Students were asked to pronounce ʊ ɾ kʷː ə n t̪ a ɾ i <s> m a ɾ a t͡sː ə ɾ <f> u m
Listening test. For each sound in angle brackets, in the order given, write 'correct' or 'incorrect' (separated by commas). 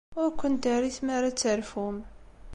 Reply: incorrect, correct